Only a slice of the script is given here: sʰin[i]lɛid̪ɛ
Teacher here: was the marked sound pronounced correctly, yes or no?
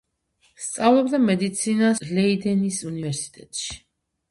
no